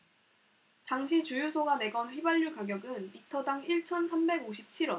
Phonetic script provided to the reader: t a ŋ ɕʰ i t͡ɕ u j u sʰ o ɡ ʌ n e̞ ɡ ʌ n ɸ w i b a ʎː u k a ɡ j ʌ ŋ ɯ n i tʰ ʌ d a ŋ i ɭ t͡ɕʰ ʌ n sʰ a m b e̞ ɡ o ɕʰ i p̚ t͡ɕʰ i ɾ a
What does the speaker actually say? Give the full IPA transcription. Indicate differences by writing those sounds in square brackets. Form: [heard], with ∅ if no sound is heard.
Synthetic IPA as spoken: t a ŋ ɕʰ i t͡ɕ u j u sʰ o ɡ [a] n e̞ ɡ ʌ n ɸ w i b a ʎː u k a ɡ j ʌ [ɡ] ɯ n i tʰ ʌ d a ŋ i ɭ t͡ɕʰ ʌ n sʰ a m b e̞ ɡ o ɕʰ i p̚ t͡ɕʰ i ɾ [ʌ]